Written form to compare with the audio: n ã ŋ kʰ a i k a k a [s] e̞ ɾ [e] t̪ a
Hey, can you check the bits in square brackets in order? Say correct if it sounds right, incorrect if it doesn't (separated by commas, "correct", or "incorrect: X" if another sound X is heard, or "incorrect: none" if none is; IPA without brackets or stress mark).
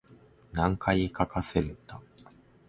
correct, correct